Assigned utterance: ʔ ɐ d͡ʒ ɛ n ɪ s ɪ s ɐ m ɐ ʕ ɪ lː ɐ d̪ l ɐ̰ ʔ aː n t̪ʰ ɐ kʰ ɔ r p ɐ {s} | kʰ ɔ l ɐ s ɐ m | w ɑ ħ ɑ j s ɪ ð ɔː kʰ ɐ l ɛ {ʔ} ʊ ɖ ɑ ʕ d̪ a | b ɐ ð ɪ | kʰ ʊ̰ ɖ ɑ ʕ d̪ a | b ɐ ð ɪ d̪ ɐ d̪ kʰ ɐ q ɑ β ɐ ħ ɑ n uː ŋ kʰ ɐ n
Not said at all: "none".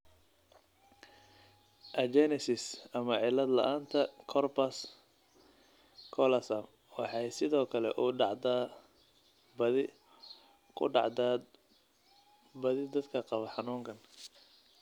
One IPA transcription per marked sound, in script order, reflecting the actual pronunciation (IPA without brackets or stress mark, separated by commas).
s, ʔ